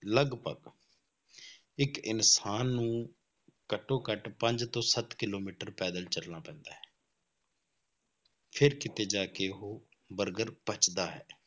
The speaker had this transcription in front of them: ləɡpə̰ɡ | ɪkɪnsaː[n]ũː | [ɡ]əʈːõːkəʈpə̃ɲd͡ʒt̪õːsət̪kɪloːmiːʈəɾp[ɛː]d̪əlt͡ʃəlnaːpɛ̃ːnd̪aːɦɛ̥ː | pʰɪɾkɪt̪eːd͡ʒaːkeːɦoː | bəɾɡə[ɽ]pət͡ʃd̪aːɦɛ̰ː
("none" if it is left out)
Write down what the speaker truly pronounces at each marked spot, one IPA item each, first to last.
nː, k, ɛː, ɾ

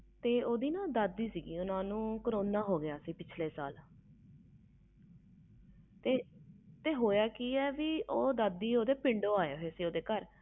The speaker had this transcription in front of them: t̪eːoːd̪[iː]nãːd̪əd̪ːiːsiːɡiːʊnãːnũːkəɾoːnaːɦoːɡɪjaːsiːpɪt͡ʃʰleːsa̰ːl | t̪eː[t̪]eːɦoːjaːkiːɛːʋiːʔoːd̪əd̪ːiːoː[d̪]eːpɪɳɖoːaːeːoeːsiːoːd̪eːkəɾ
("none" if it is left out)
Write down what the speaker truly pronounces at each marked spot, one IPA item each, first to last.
iː, t̪, d̪

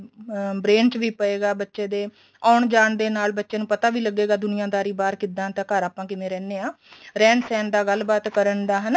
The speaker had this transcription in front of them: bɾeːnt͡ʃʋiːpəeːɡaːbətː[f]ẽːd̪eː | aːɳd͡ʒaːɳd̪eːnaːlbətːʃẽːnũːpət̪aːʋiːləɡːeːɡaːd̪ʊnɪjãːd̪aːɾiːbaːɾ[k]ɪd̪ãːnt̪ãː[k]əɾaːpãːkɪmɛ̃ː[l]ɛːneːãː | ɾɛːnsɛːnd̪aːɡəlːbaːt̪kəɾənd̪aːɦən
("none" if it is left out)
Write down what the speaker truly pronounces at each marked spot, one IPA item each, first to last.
ʃ, k, k, ɾ

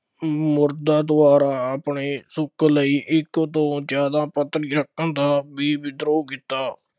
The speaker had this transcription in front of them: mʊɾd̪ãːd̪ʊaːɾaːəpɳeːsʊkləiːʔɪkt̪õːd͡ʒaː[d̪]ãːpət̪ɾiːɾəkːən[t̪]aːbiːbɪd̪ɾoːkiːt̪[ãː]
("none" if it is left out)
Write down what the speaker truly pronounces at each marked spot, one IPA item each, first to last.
d̪, d̪, aː

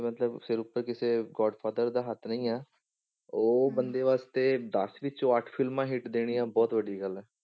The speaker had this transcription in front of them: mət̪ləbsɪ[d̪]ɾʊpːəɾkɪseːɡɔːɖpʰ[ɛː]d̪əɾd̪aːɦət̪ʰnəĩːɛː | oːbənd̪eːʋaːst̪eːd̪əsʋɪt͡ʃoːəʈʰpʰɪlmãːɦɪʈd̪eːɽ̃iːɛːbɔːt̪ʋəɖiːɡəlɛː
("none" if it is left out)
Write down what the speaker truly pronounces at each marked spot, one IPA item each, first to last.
none, aː

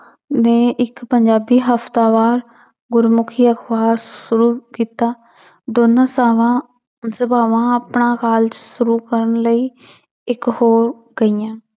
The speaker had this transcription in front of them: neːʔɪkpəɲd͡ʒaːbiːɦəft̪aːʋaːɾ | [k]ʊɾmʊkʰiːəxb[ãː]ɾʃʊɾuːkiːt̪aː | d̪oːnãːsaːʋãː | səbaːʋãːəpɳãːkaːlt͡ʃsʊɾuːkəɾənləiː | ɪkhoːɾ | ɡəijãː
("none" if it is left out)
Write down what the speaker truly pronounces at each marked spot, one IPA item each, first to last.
ɡ, aː

